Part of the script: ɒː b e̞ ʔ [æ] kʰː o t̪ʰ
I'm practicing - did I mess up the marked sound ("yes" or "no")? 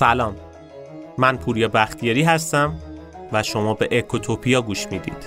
yes